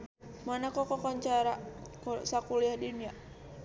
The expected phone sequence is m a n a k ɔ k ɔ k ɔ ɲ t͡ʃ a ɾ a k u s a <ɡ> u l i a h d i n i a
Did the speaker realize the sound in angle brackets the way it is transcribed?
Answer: no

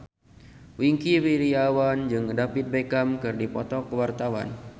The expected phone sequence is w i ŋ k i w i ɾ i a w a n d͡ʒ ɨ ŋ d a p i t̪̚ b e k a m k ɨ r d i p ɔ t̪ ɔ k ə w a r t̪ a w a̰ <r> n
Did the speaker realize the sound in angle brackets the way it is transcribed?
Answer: no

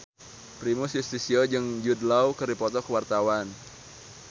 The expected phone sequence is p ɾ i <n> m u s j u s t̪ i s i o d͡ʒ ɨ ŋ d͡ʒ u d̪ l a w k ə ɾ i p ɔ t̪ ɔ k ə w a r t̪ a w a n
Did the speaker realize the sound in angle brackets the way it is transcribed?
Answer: no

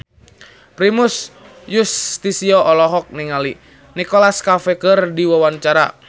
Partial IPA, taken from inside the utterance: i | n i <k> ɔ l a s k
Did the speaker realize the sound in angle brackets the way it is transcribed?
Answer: yes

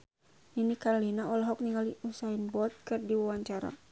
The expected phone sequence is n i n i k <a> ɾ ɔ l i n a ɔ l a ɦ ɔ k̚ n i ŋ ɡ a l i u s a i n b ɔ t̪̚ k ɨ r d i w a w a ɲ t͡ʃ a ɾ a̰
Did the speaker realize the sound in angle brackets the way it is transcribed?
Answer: yes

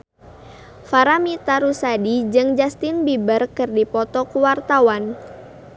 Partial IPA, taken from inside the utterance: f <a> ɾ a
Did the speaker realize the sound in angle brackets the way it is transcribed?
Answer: yes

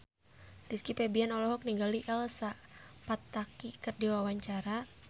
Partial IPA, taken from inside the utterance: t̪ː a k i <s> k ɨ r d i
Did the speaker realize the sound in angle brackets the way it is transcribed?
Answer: no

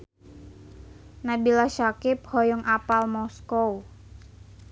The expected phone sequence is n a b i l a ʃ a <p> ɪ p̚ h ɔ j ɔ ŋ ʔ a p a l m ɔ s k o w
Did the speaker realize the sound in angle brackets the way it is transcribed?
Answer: no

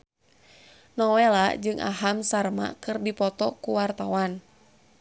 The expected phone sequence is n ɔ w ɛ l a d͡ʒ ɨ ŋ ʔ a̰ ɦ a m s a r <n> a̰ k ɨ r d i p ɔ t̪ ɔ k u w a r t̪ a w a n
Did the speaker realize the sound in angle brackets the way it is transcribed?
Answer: no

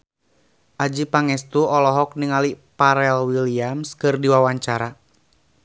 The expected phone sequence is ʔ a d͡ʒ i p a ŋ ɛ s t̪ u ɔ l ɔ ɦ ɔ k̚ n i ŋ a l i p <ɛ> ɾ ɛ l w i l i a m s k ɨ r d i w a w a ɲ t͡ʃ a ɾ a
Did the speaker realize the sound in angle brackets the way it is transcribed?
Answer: no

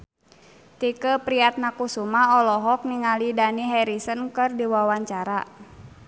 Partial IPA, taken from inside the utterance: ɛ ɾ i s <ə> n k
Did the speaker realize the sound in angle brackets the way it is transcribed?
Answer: yes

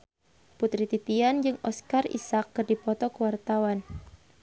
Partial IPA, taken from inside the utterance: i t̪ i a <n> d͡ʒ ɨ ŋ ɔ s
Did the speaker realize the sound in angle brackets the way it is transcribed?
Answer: yes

